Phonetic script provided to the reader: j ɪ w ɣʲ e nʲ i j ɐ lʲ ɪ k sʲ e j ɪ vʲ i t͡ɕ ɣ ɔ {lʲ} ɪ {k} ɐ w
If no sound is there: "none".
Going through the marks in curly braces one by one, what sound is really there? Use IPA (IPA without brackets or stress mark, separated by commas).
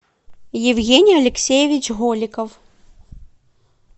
lʲ, k